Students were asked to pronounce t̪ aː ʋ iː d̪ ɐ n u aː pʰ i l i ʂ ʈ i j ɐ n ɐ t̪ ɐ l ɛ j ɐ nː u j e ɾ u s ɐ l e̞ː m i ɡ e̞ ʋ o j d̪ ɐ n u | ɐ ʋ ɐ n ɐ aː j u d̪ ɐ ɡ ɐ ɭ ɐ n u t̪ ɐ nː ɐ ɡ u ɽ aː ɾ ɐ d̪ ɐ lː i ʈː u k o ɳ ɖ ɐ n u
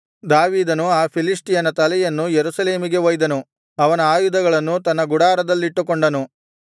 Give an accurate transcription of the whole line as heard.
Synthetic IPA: d̪ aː ʋ iː d̪ ɐ n u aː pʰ i l i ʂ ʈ i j ɐ n ɐ t̪ ɐ l ɛ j ɐ nː u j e ɾ u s ɐ l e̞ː m i ɡ e̞ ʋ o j d̪ ɐ n u | ɐ ʋ ɐ n ɐ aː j u d̪ ɐ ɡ ɐ ɭ ɐ nː u t̪ ɐ nː ɐ ɡ u ɽ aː ɾ ɐ d̪ ɐ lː i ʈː u k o ɳ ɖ ɐ n u